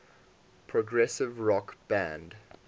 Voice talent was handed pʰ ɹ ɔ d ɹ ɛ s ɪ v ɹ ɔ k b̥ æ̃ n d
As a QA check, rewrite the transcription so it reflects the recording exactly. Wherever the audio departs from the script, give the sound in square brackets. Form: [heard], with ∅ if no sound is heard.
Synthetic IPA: pʰ ɹ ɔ [ɡ] ɹ ɛ s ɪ v ɹ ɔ k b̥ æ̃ n d

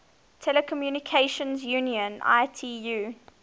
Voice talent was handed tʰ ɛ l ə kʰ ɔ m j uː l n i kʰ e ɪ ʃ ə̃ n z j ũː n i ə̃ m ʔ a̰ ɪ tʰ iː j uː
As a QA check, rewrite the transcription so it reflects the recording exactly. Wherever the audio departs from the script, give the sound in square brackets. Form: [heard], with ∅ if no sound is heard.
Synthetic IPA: tʰ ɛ l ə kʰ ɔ m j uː [∅] n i kʰ e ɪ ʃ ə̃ n z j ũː n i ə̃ [n] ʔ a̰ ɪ tʰ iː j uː

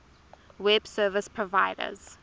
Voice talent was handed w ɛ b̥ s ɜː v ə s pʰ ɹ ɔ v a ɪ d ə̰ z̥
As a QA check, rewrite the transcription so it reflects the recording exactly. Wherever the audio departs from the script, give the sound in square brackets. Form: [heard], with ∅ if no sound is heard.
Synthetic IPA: w ɛ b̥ s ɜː v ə s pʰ ɹ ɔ v a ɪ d ə̰ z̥

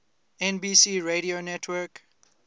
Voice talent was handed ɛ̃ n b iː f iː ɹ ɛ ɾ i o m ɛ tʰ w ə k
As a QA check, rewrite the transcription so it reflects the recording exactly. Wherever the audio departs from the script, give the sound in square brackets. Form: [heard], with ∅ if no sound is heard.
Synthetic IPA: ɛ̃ n b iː [s] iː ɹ [e] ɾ i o [n] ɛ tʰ w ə k

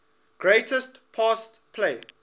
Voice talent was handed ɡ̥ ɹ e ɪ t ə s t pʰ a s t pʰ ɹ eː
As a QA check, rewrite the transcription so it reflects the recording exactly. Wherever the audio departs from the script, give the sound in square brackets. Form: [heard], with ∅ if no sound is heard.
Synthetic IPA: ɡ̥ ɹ e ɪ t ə s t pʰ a s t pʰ [l] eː

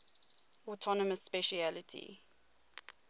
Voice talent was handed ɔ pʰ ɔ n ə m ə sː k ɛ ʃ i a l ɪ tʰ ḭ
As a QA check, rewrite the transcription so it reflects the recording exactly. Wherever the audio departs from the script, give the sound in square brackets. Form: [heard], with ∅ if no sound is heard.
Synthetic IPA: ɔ [tʰ] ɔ n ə m ə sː [p] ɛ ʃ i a l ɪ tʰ ḭ

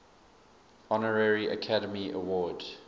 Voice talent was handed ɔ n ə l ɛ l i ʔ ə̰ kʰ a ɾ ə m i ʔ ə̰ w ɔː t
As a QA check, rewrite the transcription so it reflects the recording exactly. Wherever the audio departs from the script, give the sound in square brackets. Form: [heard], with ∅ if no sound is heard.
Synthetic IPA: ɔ n ə [ɹ] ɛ [ɹ] i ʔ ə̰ kʰ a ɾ ə m i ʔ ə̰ w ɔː [d]

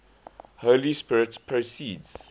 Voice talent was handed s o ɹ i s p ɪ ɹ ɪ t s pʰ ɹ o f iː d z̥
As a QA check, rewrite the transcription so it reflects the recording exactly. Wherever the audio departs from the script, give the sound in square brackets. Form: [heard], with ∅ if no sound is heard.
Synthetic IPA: [h] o [l] i s p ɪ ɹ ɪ t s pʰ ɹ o [s] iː d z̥

